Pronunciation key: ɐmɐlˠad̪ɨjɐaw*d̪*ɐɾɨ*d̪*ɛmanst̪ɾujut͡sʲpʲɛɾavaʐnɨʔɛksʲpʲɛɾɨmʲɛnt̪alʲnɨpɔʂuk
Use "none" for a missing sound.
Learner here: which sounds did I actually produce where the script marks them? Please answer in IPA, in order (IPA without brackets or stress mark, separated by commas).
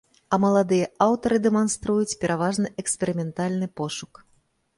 t̪, d̪